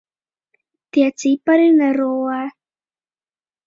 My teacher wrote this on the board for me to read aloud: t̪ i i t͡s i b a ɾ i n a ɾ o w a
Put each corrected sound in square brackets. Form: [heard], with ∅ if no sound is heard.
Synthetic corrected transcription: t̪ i [a] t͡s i [p] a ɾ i n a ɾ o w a